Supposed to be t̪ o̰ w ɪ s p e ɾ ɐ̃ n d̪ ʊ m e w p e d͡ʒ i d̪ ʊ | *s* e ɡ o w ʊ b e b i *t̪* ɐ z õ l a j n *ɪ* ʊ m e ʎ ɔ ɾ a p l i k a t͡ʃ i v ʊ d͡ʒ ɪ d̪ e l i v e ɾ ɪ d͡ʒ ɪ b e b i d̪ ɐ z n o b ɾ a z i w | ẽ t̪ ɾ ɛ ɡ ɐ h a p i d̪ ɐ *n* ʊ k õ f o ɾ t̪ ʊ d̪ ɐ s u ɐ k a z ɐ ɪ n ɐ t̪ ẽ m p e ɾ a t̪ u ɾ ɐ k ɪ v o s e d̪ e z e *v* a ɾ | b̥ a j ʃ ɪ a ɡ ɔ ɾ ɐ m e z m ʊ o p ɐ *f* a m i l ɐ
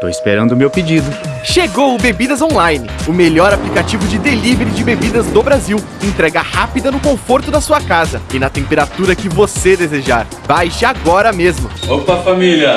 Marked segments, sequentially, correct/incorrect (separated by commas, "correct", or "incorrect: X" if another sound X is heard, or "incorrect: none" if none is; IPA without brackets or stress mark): incorrect: ʃ, incorrect: d̪, correct, correct, incorrect: ʒ, correct